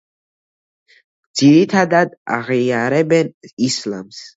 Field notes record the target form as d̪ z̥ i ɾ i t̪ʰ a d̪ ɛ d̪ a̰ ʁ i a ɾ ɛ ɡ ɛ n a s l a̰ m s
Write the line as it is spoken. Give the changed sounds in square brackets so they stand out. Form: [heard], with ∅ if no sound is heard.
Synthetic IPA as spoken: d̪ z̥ i ɾ i t̪ʰ a d̪ [a] d̪ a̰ ʁ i a ɾ ɛ [b] ɛ n [i] s l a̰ m s